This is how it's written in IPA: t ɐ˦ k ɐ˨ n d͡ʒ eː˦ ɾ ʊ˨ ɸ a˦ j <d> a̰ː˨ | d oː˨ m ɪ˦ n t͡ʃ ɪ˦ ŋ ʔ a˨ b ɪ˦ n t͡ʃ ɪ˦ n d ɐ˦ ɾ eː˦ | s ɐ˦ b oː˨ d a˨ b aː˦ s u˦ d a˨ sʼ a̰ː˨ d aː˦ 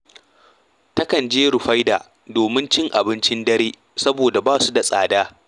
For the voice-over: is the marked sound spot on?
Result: yes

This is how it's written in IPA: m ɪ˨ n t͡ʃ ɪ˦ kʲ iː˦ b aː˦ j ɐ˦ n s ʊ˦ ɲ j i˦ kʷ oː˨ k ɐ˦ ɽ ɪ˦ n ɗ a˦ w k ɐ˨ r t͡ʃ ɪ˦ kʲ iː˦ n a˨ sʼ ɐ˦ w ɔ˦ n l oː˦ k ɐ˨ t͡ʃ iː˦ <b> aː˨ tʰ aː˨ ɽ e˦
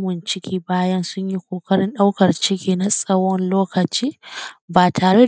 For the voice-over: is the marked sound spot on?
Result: yes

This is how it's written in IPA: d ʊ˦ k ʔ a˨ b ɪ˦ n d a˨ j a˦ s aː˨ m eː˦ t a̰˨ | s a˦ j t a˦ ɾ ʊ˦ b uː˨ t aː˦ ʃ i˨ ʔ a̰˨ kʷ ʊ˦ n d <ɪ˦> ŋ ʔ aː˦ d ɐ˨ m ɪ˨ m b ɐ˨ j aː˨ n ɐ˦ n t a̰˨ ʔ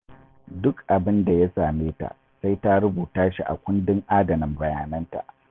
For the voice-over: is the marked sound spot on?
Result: yes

